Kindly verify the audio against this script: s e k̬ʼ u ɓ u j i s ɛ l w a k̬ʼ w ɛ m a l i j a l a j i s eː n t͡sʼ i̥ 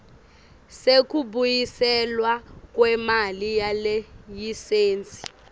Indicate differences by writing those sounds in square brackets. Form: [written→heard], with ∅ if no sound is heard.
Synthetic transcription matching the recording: s e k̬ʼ u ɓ u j i s ɛ l w a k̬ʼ w ɛ m a l i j a l [a→ɛ] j i s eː n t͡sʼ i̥